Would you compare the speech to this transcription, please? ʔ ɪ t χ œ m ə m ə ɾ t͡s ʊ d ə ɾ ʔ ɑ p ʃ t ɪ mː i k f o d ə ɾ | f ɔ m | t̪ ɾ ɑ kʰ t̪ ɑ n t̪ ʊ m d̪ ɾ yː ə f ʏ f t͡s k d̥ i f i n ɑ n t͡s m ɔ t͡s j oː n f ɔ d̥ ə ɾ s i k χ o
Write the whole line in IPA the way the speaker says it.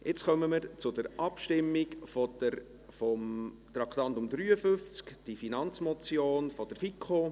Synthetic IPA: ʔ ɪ t͡s χ œ m ə m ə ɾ t͡s ʊ d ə ɾ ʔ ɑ p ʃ t ɪ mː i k f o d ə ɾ | f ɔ m | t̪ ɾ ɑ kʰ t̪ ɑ n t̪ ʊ m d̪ ɾ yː ə f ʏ f t͡s k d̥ i f i n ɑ n t͡s m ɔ t͡s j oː n f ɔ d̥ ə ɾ f i k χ o

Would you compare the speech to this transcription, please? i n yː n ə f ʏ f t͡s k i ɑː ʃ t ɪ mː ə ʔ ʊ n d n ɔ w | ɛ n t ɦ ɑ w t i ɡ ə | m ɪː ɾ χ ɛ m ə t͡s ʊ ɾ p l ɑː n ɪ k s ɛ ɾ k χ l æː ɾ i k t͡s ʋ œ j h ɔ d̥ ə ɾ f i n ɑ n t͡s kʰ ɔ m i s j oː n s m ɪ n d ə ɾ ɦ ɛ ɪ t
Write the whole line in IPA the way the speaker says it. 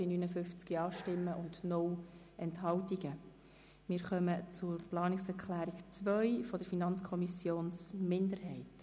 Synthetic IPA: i n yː n ə f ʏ f t͡s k i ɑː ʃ t ɪ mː ə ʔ ʊ n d n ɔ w | ɛ n t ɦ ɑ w t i ɡ ə | m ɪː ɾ χ œ m ə t͡s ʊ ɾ p l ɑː n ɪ k s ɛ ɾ k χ l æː ɾ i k t͡s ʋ œ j f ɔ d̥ ə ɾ f i n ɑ n t͡s kʰ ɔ m i s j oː n s m ɪ n d ə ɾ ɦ ɛ ɪ t

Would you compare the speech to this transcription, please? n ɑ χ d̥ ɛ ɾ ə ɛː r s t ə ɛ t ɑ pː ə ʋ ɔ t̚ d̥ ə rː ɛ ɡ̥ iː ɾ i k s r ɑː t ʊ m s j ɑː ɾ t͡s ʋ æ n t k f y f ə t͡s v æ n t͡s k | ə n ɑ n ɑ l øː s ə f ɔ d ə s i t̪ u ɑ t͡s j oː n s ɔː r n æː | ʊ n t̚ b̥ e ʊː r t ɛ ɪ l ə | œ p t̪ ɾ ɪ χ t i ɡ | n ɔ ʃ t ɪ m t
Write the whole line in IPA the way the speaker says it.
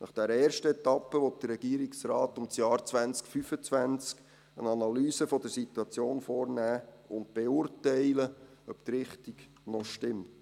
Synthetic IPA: n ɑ χ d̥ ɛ ɾ ə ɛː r ʃ t ə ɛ t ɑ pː ə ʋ ɔ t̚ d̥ ə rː ɛ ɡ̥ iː ɾ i k s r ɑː t ʊ m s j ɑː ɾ t͡s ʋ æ n t͡s k f y f ə t͡s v æ n t͡s k | ə n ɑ n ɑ l yː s ə f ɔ d ə s i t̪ u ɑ t͡s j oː n f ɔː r n æː | ʊ n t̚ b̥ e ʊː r t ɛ ɪ l ə | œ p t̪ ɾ ɪ χ t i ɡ | n ɔ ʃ t ɪ m t

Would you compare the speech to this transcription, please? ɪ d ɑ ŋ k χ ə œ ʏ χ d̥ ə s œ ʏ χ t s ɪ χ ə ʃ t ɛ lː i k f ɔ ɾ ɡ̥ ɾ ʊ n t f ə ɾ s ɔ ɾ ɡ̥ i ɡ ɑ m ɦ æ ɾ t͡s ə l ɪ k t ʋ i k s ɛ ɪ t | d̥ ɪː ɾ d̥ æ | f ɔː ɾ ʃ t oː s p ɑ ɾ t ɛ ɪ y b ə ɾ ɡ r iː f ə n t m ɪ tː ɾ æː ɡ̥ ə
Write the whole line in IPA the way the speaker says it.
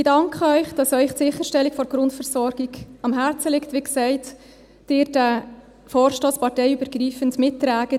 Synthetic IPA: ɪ d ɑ ŋ k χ ə œ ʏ χ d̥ ɑ s œ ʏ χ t s ɪ χ ə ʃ t ɛ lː i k f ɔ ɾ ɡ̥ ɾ ʊ n t f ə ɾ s ɔ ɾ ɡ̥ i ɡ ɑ m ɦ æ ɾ t͡s ə l ɪ k t ʋ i k s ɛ ɪ t | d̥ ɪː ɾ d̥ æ | f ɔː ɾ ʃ t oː s p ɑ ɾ t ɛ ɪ y b ə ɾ ɡ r iː f ə n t m ɪ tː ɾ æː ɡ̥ ə

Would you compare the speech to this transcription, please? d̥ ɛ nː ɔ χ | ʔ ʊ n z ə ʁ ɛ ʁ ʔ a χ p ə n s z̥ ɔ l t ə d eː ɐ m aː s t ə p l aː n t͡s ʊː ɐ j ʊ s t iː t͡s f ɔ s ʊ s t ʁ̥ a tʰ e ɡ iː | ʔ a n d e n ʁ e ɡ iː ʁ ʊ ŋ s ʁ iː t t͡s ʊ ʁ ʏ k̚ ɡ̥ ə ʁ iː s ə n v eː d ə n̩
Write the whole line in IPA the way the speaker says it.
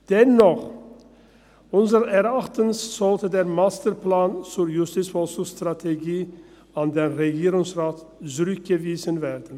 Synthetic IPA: d̥ ɛ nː ɔ χ | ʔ ʊ n z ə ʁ ɛ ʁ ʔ a χ t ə n s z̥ ɔ l t ə d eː ɐ m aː s t ə p l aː n t͡s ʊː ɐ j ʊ s t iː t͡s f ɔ s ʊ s t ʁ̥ a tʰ e ɡ iː | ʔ a n d e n ʁ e ɡ iː ʁ ʊ ŋ s ʁ aː t t͡s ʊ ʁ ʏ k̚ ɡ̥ ə v iː z ə n v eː d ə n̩

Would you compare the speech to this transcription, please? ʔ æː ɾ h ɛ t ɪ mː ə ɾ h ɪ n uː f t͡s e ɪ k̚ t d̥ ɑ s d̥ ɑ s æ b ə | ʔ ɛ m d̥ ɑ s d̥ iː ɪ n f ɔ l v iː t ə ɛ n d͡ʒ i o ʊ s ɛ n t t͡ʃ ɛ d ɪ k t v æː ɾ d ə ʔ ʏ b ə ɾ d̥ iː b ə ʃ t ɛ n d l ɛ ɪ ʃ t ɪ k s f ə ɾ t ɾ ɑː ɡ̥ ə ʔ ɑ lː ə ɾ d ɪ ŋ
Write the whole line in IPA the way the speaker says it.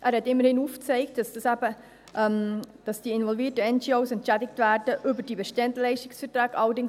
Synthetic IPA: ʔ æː ɾ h ɛ t ɪ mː ə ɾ h ɪ n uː f t͡s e ɪ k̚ t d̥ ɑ s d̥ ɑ s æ b ə | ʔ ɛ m d̥ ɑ s d̥ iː ɪ n v ɔ l v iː t ə ɛ n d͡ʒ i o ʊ s ɛ n t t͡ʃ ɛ d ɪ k t v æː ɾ d ə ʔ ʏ b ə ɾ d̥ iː b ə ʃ t ɛ n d l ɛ ɪ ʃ t ɪ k s f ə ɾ t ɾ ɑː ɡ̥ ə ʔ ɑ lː ə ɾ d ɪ ŋ

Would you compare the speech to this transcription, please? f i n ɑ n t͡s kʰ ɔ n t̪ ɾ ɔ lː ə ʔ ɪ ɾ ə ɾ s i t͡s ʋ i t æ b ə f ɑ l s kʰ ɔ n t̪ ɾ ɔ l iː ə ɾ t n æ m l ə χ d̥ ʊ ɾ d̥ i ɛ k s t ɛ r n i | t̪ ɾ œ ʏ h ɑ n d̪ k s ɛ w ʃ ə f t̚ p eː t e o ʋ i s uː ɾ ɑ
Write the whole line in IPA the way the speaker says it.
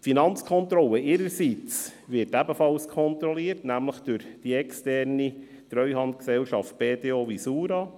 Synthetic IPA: f i n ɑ n t͡s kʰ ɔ n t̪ ɾ ɔ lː ə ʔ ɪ ɾ ə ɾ s i t͡s ʋ ɪ t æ b ə f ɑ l s kʰ ɔ n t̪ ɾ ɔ l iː ə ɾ t n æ m l ə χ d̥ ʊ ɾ d̥ i ɛ k s t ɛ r n i | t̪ ɾ œ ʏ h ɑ n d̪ k s ɛ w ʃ ɑ f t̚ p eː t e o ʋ i s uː ɾ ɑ

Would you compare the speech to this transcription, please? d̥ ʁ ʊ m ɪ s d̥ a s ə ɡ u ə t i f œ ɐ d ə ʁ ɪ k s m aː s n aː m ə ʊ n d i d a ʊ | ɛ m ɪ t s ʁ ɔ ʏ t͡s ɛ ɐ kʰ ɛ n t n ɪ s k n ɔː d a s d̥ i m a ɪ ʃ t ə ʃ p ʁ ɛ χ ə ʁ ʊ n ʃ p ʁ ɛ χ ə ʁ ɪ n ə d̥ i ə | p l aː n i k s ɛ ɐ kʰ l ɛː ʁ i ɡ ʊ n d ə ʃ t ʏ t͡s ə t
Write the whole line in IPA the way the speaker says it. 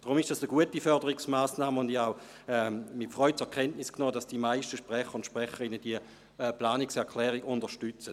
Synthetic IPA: d̥ ʁ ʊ m ɪ ʃ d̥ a s ə ɡ u ə t i f œ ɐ d ə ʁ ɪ k s m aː s n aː m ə ʊ n d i a ʊ | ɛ m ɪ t f ʁ ɔ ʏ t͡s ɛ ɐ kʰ ɛ n t n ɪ s k n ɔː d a s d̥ i m a ɪ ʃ t ə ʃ p ʁ ɛ χ ə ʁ ʊ n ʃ p ʁ ɛ χ ə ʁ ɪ n ə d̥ i ə | p l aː n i k s ɛ ɐ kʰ l ɛː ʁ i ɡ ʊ n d ə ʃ t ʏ t͡s ə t

